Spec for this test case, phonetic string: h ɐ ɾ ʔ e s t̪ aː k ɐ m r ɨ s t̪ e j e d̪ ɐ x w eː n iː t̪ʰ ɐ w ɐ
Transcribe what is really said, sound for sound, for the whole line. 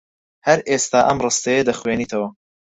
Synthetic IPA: h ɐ ɾ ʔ e s t̪ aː ʔ ɐ m r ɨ s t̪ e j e d̪ ɐ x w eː n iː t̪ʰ ɐ w ɐ